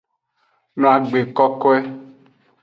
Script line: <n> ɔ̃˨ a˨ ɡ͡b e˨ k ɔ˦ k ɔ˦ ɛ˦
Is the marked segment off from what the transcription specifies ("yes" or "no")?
no